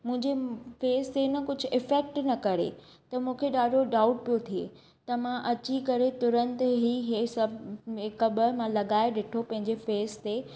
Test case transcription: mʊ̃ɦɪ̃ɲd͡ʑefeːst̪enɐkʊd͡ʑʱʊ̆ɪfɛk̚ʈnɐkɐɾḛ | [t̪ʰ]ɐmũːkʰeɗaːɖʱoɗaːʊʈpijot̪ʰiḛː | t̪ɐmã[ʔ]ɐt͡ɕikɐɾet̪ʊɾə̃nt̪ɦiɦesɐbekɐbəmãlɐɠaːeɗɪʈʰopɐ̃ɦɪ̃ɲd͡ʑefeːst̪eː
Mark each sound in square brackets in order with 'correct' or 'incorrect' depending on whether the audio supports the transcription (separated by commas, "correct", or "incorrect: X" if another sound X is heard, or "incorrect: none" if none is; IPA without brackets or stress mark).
incorrect: t̪, correct